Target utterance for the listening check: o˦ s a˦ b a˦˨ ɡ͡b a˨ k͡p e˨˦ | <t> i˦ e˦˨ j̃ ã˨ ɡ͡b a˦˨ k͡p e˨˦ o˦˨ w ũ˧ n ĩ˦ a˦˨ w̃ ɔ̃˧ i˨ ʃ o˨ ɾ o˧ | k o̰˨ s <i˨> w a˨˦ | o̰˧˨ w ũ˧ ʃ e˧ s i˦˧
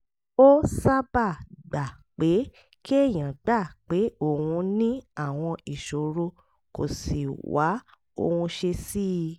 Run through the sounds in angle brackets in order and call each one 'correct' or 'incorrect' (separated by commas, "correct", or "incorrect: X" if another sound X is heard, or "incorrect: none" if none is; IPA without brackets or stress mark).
incorrect: k, correct